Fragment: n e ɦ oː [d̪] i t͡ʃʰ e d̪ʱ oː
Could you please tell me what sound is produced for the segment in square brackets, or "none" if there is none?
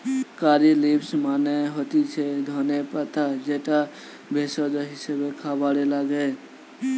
t̪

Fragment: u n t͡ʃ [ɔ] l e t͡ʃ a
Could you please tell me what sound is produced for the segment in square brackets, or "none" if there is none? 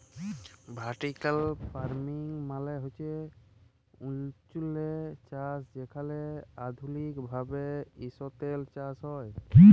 u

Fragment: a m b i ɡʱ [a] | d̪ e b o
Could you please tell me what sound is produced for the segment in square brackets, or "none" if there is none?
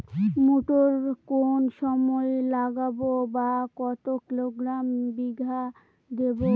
a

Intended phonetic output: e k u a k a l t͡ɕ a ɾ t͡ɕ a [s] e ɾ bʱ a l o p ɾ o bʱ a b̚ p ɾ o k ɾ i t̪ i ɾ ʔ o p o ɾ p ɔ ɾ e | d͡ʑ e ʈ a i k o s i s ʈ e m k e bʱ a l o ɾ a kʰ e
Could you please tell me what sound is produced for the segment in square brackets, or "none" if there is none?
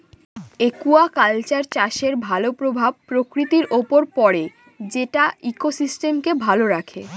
ʃ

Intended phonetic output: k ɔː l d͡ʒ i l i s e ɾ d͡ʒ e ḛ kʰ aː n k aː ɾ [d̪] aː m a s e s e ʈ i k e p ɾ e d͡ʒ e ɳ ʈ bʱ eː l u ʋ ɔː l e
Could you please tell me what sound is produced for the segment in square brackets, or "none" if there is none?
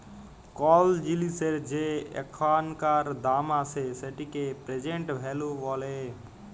d̪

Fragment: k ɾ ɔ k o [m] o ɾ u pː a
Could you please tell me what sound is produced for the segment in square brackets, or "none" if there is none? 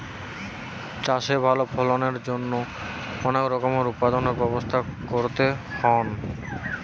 m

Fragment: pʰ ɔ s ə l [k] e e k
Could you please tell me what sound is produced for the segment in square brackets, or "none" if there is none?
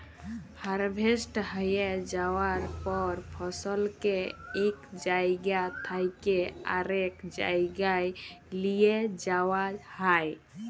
k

